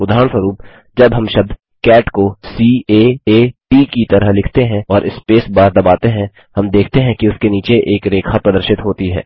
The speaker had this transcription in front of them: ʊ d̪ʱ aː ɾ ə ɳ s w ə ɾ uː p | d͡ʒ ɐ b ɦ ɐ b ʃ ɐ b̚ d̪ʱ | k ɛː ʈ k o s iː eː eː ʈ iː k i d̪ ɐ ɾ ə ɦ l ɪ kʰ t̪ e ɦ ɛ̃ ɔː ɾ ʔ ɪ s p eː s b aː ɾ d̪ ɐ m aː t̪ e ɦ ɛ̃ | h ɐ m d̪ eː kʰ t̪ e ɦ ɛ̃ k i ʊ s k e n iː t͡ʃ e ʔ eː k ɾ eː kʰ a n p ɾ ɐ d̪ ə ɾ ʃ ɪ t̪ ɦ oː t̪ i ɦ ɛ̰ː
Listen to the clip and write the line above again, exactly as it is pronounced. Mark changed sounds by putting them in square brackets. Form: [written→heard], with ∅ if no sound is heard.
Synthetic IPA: ʊ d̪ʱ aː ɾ ə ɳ s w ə ɾ uː p | d͡ʒ ɐ b ɦ ɐ [b→m] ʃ ɐ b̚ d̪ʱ | k ɛː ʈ k o s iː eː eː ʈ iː k i [d̪→t̪] ɐ ɾ ə ɦ l ɪ kʰ t̪ e ɦ ɛ̃ ɔː ɾ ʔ ɪ s p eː s b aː ɾ d̪ ɐ [m→b] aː t̪ e ɦ ɛ̃ | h ɐ m d̪ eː kʰ t̪ e ɦ ɛ̃ k i ʊ s k e n iː t͡ʃ e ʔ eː k ɾ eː kʰ a [n→∅] p ɾ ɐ d̪ ə ɾ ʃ ɪ t̪ ɦ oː t̪ i ɦ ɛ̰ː